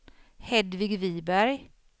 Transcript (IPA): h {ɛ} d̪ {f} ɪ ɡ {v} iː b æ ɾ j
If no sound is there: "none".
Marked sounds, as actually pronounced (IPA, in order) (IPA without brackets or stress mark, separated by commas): ɛ, v, v